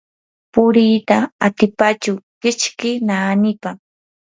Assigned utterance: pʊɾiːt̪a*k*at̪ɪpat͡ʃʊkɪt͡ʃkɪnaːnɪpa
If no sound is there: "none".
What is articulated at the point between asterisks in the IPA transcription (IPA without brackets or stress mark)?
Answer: none